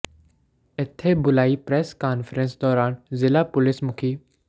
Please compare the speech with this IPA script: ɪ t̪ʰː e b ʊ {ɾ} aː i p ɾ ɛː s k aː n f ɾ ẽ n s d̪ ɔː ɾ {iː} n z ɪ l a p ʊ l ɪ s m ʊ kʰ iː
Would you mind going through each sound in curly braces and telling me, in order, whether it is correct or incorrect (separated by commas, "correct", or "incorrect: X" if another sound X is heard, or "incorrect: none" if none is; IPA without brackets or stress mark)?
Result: incorrect: l, incorrect: aː